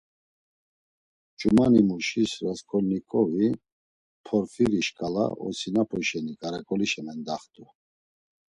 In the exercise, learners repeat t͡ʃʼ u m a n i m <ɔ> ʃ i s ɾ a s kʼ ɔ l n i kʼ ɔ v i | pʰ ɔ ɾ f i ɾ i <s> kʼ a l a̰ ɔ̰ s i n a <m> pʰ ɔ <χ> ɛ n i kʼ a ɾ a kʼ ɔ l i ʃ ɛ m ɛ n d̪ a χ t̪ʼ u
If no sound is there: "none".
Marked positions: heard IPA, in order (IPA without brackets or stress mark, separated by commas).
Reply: u, ʃ, none, ʃ